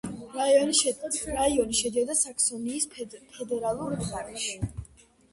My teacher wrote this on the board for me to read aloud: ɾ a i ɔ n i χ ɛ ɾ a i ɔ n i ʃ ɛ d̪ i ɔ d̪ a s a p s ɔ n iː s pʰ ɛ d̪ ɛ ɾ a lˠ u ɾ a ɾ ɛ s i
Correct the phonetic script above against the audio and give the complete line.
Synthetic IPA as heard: ɾ a i ɔ n i ʃ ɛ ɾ a i ɔ n i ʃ ɛ d̪ i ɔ d̪ a s a k s ɔ n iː s pʰ ɛ d̪ ɛ ɾ a lˠ u ɾ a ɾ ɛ ʃ i